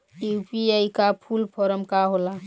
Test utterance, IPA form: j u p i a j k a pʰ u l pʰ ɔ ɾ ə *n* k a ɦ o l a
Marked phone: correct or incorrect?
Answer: incorrect: m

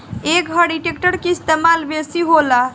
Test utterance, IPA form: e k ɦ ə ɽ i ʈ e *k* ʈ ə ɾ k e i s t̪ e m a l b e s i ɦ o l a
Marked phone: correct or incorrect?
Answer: correct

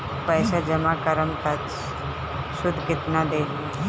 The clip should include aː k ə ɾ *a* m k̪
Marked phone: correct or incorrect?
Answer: incorrect: ə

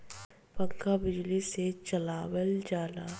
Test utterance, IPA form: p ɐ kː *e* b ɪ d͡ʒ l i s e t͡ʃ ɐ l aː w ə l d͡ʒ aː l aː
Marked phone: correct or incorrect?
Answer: incorrect: a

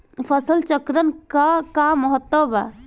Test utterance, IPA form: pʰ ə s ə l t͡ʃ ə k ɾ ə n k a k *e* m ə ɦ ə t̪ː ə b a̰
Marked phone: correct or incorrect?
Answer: incorrect: a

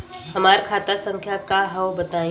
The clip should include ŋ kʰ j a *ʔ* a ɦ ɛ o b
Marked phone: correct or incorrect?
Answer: incorrect: k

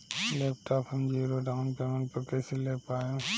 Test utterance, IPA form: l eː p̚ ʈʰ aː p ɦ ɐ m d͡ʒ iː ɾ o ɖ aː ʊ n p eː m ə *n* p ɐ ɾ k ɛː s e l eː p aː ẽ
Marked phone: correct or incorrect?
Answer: correct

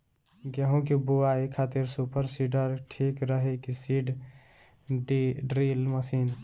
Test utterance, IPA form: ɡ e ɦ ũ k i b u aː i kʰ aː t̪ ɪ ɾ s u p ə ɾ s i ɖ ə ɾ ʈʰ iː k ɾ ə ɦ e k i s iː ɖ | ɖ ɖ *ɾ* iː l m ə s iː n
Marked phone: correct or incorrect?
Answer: correct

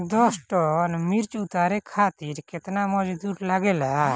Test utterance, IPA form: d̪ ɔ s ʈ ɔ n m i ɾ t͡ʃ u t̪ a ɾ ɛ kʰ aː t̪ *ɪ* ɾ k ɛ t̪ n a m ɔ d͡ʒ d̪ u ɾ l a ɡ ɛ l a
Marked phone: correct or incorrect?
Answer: incorrect: i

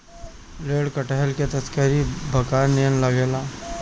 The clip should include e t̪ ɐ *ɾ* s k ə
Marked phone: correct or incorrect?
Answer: incorrect: none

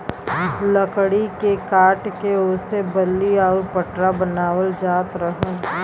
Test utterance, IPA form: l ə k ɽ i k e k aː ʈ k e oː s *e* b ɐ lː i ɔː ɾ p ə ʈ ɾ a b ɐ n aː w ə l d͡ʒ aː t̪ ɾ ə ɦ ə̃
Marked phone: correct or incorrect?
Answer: correct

